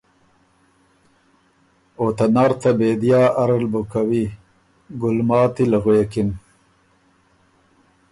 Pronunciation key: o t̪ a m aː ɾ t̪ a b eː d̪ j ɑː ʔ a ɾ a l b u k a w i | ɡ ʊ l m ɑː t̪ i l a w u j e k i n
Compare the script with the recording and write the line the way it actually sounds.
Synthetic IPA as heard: o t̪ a n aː ɾ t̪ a b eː d̪ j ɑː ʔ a ɾ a l b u k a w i | ɡ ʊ l m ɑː t̪ i l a ɣ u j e k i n